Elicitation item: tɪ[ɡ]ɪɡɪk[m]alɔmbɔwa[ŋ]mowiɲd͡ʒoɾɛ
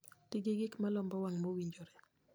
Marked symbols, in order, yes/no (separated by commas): yes, yes, yes